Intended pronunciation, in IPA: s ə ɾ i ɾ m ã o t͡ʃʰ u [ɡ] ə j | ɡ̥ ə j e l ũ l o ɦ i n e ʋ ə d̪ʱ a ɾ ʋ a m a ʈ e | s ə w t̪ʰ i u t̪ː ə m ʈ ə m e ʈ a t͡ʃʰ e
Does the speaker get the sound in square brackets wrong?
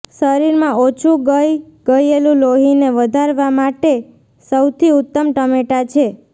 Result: no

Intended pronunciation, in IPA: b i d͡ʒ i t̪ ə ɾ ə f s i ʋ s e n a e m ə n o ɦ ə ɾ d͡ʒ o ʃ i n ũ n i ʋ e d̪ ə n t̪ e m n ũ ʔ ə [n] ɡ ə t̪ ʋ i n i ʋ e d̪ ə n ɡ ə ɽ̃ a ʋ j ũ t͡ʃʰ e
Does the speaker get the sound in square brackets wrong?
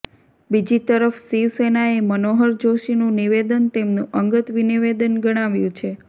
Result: yes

